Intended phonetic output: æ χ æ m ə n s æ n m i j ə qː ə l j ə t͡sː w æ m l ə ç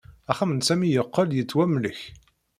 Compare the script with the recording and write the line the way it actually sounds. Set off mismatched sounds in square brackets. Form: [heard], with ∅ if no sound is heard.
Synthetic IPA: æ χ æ m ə n s æ [∅] m i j ə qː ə l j ə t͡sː w æ m l ə ç